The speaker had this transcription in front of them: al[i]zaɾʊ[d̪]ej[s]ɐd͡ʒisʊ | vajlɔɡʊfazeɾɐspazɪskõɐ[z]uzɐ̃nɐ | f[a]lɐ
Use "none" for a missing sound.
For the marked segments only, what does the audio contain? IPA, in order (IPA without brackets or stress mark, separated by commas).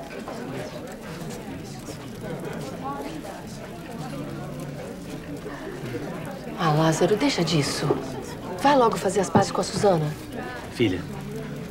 a, d̪, ʃ, s, i